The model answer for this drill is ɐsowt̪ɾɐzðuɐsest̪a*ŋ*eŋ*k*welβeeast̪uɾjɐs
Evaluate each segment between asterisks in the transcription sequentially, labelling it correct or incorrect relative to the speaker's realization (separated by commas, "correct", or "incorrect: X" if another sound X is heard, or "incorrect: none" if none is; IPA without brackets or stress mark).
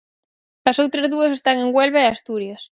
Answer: correct, incorrect: ɡ